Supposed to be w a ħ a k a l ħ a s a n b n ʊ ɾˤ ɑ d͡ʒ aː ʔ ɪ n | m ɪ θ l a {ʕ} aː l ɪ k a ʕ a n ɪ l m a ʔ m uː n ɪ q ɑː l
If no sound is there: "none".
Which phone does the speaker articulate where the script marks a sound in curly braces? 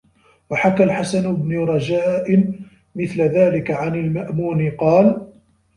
ð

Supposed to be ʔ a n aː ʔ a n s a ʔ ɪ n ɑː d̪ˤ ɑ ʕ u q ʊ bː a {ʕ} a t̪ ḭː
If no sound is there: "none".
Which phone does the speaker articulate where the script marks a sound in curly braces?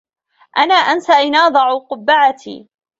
ʕ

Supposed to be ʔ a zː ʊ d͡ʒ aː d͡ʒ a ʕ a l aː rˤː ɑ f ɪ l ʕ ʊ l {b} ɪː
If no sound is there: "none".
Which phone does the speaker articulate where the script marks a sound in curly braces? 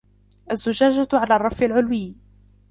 w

